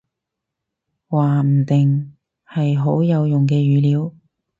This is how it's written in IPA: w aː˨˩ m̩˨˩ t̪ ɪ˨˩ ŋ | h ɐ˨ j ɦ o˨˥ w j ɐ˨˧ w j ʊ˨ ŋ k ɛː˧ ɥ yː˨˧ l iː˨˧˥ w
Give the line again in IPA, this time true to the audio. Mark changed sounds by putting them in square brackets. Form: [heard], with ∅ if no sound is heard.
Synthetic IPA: w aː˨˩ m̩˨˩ t̪ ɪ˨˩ ŋ | h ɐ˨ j ɦ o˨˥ w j ɐ˨˧ w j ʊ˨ ŋ k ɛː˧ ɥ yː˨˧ l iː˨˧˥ w